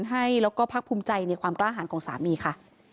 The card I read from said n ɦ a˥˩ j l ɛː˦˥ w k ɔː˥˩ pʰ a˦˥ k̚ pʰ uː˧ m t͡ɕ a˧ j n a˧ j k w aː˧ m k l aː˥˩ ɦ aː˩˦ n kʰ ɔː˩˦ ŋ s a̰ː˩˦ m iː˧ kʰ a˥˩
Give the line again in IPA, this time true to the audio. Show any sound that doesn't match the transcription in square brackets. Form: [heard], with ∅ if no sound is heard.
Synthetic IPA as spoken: n ɦ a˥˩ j l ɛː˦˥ w k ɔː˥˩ pʰ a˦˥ k̚ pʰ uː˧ m t͡ɕ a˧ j n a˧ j k w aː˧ m k l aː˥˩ ɦ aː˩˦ n kʰ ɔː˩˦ ŋ s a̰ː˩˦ m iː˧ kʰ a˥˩